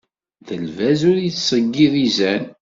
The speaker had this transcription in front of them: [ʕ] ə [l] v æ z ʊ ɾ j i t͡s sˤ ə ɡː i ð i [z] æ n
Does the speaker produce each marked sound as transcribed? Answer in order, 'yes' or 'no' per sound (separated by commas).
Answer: no, yes, yes